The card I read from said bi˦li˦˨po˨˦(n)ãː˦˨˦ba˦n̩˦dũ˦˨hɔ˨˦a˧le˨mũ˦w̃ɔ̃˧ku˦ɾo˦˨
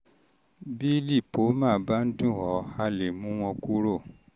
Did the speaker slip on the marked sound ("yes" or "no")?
yes